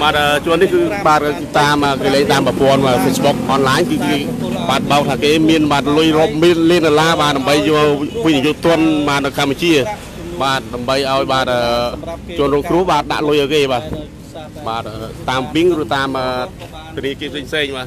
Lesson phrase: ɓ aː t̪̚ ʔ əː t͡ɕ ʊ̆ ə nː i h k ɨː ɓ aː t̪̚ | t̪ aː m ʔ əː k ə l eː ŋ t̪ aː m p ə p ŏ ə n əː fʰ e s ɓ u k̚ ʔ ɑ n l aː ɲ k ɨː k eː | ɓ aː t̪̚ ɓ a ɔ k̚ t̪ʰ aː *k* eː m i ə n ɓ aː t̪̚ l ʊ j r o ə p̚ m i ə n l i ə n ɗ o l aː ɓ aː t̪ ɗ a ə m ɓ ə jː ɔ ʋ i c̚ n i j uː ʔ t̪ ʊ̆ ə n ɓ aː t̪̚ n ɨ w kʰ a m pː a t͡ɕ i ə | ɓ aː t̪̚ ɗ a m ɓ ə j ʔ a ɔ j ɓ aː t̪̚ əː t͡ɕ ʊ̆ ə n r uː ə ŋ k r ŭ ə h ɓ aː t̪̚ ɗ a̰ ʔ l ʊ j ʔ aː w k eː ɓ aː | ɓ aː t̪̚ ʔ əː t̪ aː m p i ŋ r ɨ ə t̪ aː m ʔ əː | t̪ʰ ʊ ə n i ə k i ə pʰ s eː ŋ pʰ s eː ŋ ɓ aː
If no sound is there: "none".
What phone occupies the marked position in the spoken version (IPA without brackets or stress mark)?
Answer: k